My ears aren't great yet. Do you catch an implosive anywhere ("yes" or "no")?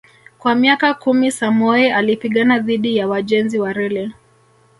yes